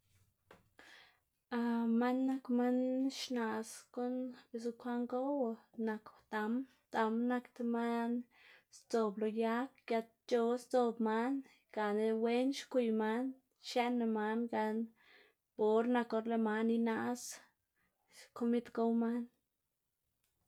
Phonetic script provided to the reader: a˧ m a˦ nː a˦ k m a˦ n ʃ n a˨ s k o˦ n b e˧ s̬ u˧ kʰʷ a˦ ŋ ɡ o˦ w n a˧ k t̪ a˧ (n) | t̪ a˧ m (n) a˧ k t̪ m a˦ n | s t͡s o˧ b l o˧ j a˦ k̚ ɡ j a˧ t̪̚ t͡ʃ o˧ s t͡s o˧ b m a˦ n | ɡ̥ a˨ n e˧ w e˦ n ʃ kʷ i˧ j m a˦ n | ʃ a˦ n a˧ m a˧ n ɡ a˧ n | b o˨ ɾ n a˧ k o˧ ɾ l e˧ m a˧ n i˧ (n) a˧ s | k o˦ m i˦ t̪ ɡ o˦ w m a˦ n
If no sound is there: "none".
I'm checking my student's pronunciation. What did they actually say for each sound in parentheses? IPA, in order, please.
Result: m, n, n

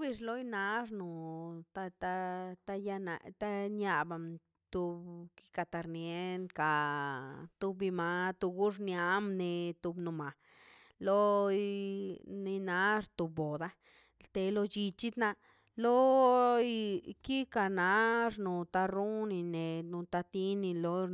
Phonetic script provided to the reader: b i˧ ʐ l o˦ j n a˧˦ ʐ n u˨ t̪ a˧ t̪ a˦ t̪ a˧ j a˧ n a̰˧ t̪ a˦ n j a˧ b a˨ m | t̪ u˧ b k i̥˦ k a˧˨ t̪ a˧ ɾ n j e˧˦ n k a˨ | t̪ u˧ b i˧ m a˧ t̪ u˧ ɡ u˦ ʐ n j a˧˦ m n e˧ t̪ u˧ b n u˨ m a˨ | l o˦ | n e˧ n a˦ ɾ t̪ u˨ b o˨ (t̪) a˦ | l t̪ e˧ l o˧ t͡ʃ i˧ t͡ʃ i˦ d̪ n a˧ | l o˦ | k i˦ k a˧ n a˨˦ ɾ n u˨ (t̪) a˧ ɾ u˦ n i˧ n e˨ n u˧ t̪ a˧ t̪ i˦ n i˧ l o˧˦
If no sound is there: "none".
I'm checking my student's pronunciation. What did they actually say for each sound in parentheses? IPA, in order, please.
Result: d̪, t̪

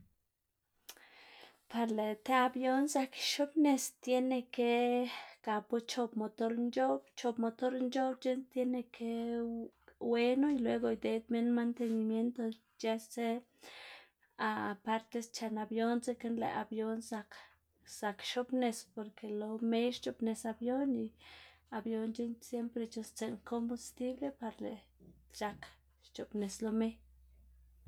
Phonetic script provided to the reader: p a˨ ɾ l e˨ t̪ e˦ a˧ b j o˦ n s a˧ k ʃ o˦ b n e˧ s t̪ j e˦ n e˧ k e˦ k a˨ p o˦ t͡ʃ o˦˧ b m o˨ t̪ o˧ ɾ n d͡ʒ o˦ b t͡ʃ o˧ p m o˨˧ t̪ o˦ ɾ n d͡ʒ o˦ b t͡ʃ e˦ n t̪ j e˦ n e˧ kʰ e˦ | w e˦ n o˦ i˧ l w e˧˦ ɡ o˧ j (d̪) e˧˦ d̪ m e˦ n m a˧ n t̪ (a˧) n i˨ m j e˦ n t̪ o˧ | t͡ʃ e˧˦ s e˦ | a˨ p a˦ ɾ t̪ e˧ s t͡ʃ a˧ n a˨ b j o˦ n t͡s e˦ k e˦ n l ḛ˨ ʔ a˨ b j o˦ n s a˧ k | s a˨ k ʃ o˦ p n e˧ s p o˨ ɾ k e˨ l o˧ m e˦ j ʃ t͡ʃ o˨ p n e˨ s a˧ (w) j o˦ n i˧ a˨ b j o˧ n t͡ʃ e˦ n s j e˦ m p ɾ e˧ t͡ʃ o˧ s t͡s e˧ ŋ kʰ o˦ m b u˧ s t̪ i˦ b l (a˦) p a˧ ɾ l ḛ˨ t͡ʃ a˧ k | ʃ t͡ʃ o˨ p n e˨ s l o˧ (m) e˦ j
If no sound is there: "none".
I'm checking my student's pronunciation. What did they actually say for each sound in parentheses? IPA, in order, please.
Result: d̪, e˧, b, e˦, m

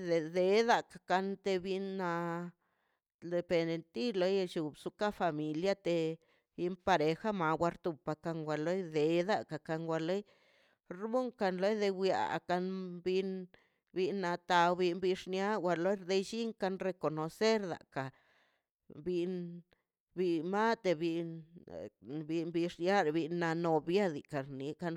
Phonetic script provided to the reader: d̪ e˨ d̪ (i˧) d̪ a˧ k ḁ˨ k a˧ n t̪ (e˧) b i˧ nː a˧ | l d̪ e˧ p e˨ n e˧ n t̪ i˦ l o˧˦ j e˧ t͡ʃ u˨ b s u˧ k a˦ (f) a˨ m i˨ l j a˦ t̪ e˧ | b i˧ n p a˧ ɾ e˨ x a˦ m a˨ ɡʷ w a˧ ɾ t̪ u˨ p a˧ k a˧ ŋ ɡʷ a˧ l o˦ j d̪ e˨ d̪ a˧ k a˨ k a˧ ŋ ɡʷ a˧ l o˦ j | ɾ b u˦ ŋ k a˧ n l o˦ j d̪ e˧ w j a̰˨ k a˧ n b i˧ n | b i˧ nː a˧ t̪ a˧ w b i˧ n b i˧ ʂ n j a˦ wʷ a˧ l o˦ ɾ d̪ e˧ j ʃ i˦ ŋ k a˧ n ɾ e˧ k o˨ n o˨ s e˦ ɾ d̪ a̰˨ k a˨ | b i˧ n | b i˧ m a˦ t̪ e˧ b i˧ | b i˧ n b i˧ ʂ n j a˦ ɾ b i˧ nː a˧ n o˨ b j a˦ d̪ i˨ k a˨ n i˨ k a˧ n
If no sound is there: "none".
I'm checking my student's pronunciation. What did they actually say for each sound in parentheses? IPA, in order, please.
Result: e˧, e˧, f

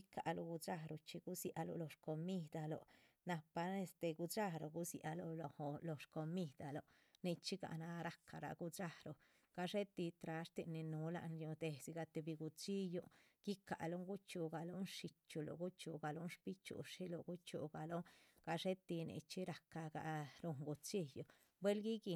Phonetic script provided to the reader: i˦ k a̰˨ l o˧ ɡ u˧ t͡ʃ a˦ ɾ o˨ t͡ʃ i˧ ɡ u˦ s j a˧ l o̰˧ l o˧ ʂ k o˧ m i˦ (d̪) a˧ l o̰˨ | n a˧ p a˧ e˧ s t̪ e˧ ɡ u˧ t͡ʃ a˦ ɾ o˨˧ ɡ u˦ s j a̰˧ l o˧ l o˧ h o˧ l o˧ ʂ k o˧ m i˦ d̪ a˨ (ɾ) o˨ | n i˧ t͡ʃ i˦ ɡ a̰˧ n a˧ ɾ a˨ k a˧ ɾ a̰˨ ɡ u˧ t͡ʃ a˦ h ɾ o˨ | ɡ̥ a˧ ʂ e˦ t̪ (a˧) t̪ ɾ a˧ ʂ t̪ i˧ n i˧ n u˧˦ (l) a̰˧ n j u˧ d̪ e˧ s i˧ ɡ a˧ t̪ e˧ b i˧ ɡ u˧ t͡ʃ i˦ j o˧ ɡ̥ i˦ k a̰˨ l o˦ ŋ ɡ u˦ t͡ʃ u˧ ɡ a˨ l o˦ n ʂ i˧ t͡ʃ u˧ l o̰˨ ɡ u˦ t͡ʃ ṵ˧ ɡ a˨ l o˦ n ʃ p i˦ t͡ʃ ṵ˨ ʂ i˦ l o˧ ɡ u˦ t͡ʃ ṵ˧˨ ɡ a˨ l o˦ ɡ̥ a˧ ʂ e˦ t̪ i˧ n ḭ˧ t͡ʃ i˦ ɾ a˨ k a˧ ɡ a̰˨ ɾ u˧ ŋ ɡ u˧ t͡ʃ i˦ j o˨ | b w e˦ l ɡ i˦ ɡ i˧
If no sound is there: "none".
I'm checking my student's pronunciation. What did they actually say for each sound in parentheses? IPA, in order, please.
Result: d̪, l, i˧, l

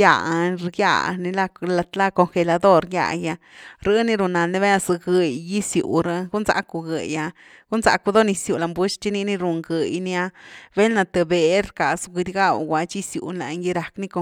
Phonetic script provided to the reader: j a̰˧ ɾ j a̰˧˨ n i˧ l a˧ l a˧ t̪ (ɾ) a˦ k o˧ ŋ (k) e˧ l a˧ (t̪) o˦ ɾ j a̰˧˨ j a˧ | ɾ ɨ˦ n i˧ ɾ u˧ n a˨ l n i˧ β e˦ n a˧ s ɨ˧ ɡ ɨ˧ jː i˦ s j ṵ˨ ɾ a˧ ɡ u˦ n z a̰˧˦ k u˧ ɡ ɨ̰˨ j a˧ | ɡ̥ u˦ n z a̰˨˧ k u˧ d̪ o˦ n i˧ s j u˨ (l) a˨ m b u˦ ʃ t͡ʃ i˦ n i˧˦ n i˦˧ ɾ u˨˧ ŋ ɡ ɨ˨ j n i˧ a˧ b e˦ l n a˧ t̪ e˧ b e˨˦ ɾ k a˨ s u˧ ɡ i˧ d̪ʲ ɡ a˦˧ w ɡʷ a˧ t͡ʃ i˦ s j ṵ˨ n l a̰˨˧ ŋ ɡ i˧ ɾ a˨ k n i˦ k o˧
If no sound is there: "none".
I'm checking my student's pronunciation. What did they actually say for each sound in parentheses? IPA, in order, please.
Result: l, x, d̪, l

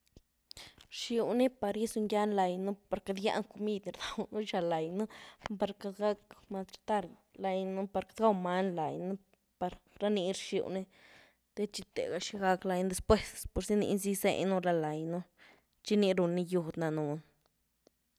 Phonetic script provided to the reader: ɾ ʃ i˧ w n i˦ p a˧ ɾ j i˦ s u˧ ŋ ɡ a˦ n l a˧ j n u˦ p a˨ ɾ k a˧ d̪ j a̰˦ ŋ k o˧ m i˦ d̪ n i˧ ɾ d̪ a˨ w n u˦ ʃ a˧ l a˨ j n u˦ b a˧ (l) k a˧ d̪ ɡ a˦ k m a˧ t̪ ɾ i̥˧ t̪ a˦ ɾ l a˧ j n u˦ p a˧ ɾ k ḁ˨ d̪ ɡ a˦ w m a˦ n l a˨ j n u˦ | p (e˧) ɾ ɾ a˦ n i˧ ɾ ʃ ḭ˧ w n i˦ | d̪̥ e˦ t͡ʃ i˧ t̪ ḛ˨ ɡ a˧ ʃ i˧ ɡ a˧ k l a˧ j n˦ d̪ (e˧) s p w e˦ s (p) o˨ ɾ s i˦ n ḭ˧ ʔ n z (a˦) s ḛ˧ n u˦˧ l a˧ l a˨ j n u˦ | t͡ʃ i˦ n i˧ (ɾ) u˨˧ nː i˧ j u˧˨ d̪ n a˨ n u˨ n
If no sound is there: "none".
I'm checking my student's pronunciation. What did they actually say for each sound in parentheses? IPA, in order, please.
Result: ɾ, a˧, e˧, p, i˦, ɾ

